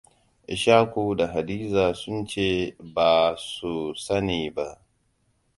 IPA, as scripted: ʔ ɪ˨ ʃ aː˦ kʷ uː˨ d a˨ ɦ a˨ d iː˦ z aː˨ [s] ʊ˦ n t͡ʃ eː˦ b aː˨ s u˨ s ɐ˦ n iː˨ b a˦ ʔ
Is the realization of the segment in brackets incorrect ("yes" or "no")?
no